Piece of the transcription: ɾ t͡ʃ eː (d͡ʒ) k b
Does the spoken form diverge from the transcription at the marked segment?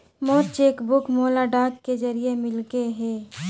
yes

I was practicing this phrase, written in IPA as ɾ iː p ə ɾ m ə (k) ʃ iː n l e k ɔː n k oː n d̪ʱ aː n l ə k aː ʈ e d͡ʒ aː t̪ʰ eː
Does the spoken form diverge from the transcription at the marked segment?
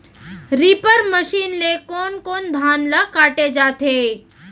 yes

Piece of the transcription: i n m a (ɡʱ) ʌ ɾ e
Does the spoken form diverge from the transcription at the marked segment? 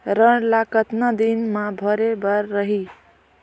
yes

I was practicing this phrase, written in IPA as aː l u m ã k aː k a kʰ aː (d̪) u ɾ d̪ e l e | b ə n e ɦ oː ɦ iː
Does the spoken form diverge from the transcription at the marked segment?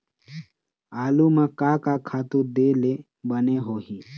yes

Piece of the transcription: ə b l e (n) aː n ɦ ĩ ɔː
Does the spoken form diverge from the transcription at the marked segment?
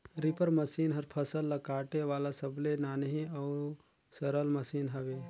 no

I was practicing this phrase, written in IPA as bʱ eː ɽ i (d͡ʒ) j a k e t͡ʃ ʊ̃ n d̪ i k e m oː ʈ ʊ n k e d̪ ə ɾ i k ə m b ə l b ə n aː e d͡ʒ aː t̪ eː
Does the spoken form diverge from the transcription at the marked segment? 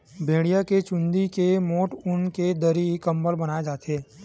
yes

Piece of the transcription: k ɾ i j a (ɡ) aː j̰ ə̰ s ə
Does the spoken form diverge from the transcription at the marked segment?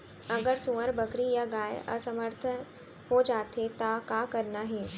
no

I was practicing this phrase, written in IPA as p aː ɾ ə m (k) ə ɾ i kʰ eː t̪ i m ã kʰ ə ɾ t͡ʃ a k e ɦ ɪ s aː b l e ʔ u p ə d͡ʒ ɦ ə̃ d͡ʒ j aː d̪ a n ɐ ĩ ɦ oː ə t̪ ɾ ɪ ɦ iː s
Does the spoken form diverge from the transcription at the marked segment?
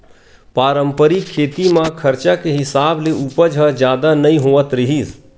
yes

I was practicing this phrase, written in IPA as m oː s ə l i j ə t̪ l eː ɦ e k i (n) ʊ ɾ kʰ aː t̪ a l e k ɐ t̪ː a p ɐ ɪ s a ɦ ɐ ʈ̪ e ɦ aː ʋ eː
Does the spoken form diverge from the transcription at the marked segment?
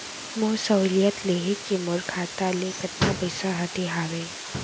yes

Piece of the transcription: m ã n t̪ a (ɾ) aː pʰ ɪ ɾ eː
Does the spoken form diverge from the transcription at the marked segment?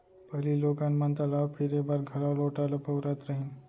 yes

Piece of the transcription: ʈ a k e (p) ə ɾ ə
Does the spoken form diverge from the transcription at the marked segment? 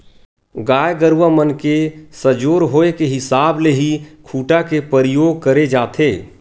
no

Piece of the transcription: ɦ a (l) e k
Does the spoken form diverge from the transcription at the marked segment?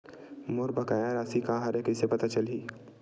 yes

